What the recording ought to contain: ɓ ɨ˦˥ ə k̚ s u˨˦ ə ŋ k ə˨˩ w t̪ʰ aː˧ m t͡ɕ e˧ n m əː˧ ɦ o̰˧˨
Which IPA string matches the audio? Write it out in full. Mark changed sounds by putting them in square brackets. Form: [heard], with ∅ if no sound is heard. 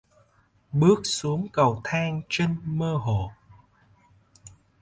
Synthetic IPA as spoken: ɓ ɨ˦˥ ə k̚ s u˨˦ ə ŋ k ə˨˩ w t̪ʰ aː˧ [ŋ] t͡ɕ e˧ n m əː˧ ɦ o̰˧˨